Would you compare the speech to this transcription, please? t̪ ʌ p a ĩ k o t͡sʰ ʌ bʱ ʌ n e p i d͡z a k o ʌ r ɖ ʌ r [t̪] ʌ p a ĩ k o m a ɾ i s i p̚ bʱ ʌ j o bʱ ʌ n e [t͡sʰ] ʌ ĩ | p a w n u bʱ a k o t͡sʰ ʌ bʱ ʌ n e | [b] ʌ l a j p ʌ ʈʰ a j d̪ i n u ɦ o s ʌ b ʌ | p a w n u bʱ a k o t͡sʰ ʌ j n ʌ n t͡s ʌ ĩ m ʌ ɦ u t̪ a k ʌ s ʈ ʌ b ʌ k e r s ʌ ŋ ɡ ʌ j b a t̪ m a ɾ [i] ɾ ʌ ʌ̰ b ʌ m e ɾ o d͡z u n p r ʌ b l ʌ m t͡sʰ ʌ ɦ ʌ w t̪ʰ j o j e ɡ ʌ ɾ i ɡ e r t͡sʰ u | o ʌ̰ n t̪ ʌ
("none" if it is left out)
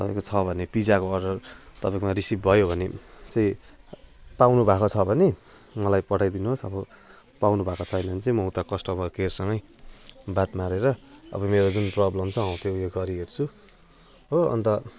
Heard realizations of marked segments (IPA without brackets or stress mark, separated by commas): t̪, t͡s, m, e